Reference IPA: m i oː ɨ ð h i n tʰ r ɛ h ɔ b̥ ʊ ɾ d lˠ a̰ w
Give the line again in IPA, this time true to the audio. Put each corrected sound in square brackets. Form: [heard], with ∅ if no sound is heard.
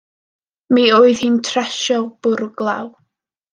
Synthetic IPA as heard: m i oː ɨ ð h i n tʰ r ɛ [ʃ] ɔ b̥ ʊ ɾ [ɡ] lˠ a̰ w